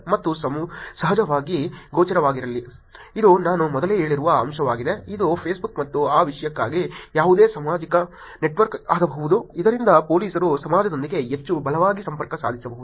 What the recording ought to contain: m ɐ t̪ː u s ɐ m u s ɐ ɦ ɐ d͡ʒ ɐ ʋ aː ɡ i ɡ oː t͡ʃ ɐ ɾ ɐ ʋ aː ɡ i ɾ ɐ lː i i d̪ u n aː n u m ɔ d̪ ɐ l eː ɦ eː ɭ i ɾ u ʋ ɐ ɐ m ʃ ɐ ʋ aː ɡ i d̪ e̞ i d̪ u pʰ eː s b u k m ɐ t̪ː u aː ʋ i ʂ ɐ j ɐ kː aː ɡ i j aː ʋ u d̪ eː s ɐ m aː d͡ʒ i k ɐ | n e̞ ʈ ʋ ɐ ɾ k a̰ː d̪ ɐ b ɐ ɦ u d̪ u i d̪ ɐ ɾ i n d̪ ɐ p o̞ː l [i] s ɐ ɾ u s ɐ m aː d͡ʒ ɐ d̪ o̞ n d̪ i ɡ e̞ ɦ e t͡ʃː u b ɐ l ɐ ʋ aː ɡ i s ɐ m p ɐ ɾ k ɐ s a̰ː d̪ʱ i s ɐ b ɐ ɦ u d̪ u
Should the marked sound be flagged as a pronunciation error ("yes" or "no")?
yes